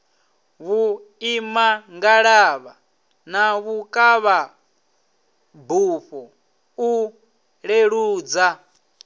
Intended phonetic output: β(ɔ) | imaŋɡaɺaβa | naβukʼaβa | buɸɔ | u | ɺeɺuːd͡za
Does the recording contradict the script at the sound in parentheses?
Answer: yes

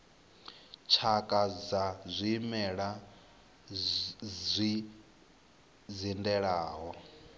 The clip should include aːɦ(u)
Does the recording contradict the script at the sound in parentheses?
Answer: yes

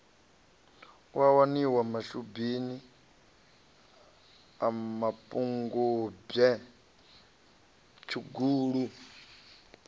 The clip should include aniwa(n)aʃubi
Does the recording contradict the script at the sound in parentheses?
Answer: yes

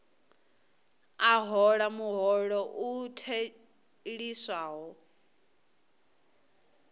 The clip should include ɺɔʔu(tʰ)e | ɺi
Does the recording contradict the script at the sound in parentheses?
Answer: no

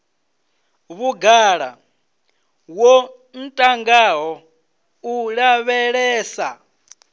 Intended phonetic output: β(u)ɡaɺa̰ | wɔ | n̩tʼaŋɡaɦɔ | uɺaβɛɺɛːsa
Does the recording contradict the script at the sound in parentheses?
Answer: no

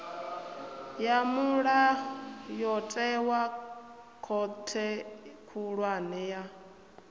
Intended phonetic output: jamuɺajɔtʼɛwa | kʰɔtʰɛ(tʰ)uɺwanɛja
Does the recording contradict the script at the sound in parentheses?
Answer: yes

